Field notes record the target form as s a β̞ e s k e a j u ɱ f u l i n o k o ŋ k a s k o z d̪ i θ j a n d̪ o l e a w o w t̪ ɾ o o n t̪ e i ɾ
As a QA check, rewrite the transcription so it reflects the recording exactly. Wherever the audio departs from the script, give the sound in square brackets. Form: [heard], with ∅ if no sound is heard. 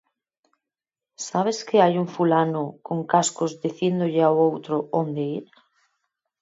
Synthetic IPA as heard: s a β̞ e s k e a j u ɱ f u l [a] n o k o ŋ k a s k o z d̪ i θ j [e] n d̪ o [ʎ] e a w o w t̪ ɾ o o n [d̪] e i ɾ